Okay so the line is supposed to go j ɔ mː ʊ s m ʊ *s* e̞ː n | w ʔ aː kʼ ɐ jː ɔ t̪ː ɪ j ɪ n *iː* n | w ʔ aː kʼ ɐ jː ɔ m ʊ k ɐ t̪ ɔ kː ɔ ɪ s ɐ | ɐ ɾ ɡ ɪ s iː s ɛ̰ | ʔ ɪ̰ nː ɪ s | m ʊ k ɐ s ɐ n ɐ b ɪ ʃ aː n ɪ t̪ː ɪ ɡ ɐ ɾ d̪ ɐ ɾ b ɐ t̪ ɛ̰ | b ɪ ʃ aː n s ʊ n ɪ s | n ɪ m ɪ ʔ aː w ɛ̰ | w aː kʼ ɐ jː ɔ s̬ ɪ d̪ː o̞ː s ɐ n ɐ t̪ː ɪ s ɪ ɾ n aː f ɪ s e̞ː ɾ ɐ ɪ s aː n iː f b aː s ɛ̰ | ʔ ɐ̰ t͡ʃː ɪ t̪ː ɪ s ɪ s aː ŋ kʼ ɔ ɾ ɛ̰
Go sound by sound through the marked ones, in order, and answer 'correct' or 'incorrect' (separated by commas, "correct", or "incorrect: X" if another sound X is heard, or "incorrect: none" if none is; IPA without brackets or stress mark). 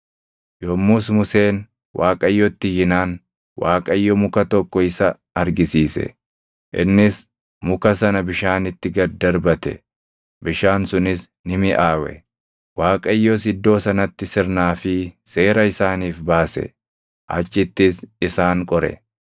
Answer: correct, incorrect: aː